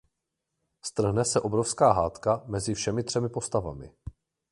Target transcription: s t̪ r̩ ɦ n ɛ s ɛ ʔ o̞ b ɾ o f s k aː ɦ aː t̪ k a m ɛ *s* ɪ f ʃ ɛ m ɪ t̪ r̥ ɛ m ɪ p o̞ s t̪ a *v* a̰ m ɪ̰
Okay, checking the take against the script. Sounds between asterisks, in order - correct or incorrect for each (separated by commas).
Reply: incorrect, correct